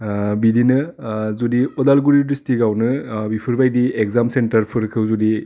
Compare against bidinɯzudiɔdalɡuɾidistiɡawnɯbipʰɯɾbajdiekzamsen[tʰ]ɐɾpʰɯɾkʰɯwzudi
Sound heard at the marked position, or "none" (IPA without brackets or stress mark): t